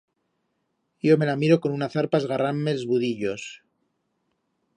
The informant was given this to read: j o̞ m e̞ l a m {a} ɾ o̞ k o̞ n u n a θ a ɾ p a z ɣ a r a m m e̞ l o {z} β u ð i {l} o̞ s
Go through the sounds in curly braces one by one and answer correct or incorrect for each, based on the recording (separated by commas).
incorrect, correct, incorrect